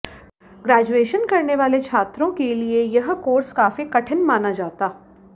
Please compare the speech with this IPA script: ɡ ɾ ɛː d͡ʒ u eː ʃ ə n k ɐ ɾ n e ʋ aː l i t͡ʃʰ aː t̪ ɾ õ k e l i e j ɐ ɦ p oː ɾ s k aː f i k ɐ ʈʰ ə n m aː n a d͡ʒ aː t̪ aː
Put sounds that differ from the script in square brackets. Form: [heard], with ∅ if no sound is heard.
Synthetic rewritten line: ɡ ɾ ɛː d͡ʒ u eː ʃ ə n k ɐ ɾ n e ʋ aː l [e] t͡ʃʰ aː t̪ ɾ õ k e l i e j ɐ ɦ [k] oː ɾ s k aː f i k ɐ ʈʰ ə n m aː n a d͡ʒ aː t̪ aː